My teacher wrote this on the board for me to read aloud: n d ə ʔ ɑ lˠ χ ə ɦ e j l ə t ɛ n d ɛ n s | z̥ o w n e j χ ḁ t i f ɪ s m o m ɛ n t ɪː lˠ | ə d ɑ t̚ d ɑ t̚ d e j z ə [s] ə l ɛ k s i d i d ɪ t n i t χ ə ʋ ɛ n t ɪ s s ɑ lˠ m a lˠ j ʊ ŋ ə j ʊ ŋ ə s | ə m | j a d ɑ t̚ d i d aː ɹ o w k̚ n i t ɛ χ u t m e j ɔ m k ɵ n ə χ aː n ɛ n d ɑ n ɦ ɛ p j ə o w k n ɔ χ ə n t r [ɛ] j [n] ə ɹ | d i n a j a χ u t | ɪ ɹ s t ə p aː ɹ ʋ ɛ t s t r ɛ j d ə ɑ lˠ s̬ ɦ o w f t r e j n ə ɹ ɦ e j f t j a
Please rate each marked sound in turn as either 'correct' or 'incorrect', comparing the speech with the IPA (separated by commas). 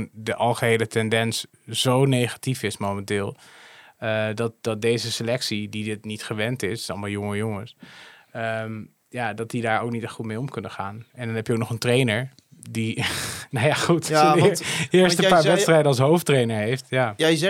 correct, incorrect, correct